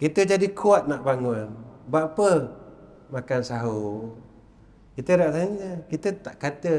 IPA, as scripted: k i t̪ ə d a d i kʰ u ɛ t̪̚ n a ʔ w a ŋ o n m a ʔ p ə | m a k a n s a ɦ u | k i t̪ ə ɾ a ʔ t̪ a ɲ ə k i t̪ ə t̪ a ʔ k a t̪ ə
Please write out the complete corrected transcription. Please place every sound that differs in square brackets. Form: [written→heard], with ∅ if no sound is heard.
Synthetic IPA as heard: k i t̪ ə [d→d͡ʒ] a d i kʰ u [ɛ→a] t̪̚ n a ʔ [w→b] a ŋ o n [m→b] a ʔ p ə | m a k a n s a ɦ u | k i t̪ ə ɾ a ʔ t̪ a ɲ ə k i t̪ ə t̪ a ʔ k a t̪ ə